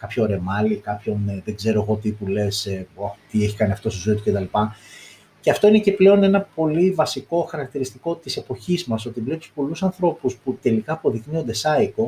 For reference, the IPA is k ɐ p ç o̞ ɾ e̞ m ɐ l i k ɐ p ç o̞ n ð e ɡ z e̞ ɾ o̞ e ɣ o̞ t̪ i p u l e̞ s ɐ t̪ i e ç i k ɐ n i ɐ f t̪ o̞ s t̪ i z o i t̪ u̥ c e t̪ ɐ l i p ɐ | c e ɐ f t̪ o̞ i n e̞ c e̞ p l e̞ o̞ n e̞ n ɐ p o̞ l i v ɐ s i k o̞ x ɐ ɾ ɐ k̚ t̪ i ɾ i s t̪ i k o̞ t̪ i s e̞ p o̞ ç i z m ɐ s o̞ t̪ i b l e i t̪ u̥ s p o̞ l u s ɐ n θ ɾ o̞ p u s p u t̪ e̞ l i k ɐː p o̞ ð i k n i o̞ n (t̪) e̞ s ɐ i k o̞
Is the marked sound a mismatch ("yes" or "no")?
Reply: yes